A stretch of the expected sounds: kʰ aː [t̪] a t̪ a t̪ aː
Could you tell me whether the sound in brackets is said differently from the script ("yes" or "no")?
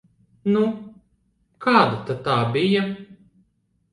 yes